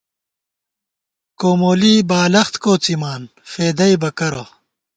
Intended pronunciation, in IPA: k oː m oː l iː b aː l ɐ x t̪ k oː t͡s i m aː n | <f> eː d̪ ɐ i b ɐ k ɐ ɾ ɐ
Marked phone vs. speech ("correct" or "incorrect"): correct